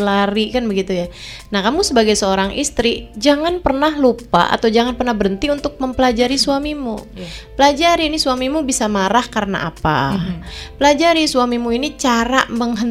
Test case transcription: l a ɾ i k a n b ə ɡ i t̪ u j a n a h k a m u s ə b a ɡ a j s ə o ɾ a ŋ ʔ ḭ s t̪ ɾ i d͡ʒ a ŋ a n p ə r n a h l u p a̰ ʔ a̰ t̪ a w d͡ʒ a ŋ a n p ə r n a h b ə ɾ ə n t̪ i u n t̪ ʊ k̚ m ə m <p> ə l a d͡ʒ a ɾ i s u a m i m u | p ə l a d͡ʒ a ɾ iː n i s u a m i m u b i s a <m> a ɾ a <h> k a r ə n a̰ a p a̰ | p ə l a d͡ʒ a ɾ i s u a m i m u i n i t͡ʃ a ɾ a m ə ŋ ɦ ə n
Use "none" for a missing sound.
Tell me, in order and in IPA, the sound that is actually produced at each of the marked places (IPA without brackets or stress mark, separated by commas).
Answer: p, m, h